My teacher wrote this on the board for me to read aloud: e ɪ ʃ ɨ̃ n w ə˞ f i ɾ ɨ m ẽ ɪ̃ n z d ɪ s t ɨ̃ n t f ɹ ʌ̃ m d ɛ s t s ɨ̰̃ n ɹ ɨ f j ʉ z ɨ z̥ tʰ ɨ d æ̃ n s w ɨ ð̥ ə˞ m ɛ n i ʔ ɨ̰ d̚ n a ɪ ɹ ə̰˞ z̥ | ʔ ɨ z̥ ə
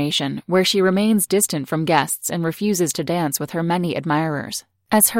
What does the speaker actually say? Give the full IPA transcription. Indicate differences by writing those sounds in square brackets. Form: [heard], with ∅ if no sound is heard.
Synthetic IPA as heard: e ɪ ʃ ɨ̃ n w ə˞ [ʃ] i [ɹ] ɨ m ẽ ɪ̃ n z d ɪ s t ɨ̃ n t f ɹ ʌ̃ m [ɡ] ɛ s t s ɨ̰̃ n ɹ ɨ f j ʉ z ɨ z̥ tʰ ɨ d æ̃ n s w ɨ ð̥ ə˞ m ɛ n i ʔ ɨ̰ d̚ [m] a ɪ ɹ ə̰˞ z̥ | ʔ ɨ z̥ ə